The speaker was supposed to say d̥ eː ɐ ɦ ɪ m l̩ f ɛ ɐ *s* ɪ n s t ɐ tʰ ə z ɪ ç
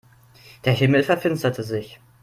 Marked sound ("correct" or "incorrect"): incorrect